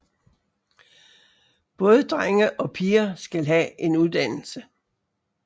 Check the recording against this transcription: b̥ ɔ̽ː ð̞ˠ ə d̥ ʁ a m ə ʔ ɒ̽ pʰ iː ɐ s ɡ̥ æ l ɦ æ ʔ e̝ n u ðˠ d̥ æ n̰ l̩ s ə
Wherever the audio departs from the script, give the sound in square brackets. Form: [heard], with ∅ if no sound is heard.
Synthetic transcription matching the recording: b̥ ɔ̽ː ð̞ˠ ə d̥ ʁ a [ŋ] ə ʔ ɒ̽ pʰ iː ɐ s ɡ̥ æ l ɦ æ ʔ e̝ n u ðˠ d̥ æ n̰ l̩ s ə

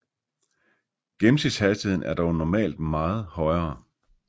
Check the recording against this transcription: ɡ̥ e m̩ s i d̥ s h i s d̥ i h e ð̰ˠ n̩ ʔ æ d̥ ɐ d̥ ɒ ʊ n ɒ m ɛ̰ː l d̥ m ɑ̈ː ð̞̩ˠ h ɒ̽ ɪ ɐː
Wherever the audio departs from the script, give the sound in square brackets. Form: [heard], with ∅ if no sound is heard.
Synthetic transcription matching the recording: ɡ̥ e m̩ s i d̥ s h [æ] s d̥ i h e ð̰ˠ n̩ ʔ æ [∅] ɐ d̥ ɒ ʊ n ɒ m ɛ̰ː l d̥ m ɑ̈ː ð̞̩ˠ h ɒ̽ ɪ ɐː

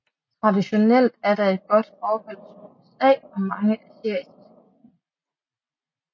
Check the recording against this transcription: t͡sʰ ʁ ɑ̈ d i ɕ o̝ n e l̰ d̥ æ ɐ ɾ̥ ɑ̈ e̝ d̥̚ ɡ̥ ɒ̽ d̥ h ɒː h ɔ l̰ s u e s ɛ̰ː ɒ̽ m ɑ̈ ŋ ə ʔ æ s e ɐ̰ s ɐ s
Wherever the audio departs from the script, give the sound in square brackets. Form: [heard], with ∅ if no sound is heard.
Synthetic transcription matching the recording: t͡sʰ ʁ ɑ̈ d i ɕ o̝ n e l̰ d̥ æ ɐ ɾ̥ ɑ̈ e̝ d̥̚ ɡ̥ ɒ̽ d̥ [f] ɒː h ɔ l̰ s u e s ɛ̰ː ɒ̽ m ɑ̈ ŋ ə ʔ æ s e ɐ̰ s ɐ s

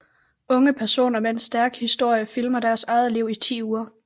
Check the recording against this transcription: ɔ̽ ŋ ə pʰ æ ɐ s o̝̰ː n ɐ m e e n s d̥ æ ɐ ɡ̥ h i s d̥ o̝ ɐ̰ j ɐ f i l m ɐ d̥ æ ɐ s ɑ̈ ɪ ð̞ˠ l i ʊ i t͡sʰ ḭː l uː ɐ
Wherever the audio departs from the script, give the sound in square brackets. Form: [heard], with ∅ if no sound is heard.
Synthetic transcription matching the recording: ɔ̽ ŋ ə pʰ æ ɐ s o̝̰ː n ɐ m e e n s d̥ æ ɐ ɡ̥ h i s d̥ o̝ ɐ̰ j [ə] f i l m ɐ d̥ æ ɐ s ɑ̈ ɪ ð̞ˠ l i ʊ i t͡sʰ ḭː [∅] uː ɐ

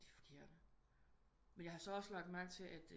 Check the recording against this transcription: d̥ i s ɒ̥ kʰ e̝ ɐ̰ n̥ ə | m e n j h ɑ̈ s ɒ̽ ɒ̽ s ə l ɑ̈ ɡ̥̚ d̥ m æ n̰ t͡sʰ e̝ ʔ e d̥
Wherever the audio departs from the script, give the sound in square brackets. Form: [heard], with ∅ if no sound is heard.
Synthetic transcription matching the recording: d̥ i [f] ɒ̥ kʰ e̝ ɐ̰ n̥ ə | m e n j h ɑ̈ s ɒ̽ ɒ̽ s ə l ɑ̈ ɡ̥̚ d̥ m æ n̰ t͡sʰ e̝ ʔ [æ] d̥

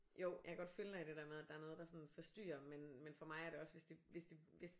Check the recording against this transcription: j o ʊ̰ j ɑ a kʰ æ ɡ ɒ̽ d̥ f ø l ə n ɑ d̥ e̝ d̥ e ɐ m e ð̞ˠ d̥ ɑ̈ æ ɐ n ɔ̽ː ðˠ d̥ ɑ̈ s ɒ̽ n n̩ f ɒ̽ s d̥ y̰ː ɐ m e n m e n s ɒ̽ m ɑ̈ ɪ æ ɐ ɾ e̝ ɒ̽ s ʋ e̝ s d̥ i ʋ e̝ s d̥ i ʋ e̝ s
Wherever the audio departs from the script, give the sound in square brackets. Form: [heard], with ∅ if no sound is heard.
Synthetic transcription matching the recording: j o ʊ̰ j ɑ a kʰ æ ɡ ɒ̽ d̥ f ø l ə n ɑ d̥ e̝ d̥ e ɐ m e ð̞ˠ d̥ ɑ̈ æ ɐ n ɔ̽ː ðˠ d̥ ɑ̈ s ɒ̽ n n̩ f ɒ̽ s d̥ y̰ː ɐ m e n m e n [f] ɒ̽ m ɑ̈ ɪ æ ɐ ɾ e̝ ɒ̽ s ʋ e̝ s d̥ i ʋ e̝ s d̥ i ʋ e̝ s

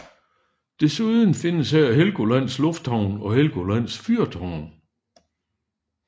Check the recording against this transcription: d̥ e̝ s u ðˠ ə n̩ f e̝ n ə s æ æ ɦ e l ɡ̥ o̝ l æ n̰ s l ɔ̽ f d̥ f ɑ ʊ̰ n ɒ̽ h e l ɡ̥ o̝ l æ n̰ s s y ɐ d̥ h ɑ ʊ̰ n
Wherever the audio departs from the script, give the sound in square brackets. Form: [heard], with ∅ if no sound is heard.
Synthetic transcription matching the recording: d̥ e̝ s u ðˠ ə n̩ f e̝ n ə s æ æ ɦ e l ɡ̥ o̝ l æ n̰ s l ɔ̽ f d̥ [h] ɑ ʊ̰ n ɒ̽ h e l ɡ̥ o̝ l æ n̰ s [f] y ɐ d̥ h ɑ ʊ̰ n

